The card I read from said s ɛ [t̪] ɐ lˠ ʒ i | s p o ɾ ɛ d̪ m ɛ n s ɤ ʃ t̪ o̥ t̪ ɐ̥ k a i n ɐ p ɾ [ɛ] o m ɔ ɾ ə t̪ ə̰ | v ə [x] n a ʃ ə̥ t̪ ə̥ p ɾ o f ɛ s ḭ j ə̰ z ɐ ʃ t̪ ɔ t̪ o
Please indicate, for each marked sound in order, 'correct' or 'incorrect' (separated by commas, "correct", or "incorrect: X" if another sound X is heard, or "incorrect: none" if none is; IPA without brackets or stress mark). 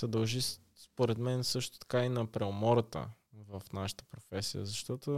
incorrect: d̪, correct, incorrect: f